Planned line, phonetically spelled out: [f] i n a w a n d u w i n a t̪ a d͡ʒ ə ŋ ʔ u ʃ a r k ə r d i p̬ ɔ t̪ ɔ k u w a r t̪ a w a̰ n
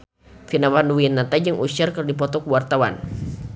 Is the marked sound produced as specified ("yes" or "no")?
yes